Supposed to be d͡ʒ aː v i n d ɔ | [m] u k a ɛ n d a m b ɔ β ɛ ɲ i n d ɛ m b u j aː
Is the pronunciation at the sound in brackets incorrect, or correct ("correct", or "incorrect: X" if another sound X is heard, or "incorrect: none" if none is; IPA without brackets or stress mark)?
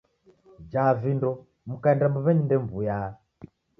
correct